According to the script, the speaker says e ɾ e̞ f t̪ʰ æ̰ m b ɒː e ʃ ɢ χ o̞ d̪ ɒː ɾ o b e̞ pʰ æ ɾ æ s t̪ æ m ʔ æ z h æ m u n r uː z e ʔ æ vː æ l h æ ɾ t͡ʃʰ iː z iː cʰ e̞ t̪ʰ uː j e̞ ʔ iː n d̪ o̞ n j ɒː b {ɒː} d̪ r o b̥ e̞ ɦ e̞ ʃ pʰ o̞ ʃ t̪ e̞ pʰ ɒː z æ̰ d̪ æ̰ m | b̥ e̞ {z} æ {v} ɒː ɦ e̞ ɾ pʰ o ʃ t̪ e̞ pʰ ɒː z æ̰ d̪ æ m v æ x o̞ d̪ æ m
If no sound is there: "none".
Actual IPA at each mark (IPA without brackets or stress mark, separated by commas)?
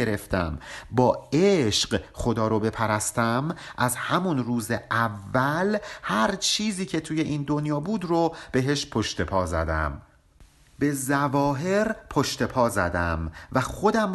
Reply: uː, z, v